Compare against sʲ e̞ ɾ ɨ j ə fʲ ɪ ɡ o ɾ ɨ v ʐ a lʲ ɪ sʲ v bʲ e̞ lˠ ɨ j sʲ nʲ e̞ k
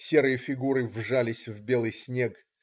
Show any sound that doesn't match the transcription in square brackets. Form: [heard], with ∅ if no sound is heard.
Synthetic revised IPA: sʲ e̞ ɾ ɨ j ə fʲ ɪ ɡ [u] ɾ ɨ v ʐ a lʲ ɪ sʲ v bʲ e̞ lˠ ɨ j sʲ nʲ e̞ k